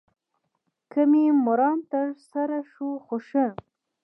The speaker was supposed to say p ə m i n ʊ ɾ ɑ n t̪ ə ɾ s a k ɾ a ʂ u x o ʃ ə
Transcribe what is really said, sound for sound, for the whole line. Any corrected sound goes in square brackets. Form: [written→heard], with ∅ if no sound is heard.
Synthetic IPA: [p→k] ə m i [n→m] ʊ ɾ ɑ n t̪ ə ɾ s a [k→∅] ɾ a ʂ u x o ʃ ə